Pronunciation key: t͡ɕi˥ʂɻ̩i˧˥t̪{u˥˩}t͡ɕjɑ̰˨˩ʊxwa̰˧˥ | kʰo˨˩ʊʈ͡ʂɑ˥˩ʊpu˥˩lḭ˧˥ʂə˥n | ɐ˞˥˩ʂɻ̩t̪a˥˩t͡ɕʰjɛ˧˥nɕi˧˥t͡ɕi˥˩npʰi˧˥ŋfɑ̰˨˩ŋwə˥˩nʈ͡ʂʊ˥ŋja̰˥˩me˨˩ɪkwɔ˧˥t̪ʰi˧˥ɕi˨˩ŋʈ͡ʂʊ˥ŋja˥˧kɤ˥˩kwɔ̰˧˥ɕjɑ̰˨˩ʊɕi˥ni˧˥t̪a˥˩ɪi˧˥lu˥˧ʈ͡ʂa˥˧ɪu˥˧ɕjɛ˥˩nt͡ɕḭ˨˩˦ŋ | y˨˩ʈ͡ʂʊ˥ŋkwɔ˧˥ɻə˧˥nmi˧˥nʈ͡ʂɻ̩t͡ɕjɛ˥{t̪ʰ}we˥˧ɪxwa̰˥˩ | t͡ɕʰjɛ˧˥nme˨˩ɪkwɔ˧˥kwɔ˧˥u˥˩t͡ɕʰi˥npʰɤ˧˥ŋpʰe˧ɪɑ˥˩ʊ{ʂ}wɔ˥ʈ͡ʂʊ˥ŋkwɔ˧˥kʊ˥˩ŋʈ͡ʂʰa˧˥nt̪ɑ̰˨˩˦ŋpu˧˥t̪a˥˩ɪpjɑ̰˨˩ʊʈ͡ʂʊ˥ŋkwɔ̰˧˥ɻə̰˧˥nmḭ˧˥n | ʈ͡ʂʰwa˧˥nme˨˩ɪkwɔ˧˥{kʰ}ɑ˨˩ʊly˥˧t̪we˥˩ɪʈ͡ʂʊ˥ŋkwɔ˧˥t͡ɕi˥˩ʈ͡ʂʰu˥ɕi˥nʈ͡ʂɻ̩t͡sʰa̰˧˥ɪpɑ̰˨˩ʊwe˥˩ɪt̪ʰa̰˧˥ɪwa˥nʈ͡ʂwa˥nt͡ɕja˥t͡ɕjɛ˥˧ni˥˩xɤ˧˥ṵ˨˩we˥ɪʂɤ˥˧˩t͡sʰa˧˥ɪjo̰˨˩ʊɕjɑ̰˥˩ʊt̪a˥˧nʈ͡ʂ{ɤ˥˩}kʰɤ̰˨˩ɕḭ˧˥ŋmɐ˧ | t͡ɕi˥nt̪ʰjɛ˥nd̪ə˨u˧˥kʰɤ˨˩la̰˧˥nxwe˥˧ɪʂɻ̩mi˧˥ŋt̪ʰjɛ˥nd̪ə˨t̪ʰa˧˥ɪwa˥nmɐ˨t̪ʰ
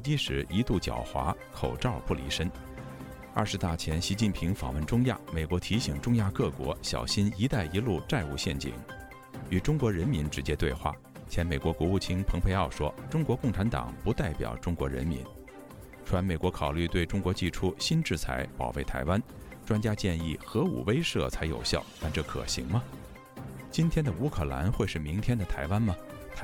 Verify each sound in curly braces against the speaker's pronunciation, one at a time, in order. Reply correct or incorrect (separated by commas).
correct, incorrect, correct, correct, correct